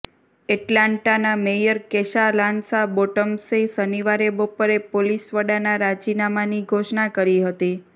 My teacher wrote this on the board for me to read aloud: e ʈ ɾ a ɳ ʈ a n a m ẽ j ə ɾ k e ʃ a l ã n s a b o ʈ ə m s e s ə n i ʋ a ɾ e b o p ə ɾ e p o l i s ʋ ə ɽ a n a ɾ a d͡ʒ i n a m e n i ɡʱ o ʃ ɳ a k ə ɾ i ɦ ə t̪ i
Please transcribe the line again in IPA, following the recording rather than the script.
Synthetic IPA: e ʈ l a ɳ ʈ a n a m e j ə ɾ k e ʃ a l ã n s a b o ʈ ə m s e s ə n i ʋ a ɾ e b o p ə ɾ e p o l i s ʋ ə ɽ a n a ɾ a d͡ʒ i n a m a n i ɡʱ o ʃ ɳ a k ə ɾ i ɦ ə t̪ i